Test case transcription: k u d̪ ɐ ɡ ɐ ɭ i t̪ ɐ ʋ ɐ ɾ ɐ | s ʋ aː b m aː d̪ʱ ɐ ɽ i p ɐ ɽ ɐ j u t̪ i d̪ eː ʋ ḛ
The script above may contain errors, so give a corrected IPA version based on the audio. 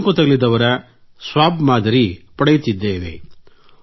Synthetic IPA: k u t̪ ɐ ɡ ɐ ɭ i d̪ ɐ ʋ ɐ ɾ ɐ | s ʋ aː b m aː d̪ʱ ɐ ɾ i p ɐ ɽ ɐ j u t̪ i d̪ː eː ʋ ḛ